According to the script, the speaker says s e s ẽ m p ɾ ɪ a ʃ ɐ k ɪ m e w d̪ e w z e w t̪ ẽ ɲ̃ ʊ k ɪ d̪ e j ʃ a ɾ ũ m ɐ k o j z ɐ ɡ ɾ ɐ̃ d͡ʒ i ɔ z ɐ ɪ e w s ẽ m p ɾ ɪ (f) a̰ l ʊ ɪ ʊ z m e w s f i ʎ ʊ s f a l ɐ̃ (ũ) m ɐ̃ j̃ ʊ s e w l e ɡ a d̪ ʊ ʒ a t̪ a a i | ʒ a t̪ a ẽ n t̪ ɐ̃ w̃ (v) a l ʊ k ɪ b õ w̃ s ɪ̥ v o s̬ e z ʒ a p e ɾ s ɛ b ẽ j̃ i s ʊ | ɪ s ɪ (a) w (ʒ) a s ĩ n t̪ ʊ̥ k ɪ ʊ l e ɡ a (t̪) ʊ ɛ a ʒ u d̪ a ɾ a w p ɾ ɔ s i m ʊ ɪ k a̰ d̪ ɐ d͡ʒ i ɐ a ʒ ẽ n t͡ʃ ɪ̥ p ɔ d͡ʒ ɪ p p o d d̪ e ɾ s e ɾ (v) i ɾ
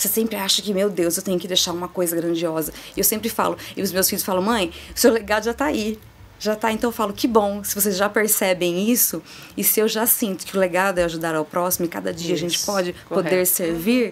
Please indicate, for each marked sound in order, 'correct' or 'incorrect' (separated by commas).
correct, incorrect, incorrect, incorrect, correct, incorrect, correct